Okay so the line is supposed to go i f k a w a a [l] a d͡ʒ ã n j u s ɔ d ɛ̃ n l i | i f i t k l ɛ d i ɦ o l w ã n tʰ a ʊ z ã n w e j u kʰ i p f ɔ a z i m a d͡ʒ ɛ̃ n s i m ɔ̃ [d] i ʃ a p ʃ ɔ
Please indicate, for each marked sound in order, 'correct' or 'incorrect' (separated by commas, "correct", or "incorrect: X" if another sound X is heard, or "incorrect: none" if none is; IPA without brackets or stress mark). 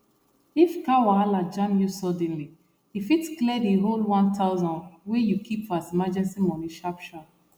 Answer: correct, incorrect: n